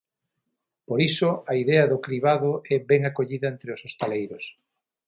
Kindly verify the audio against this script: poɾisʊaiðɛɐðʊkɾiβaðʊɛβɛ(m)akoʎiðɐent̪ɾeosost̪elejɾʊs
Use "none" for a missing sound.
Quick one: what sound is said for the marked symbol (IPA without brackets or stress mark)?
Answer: ŋ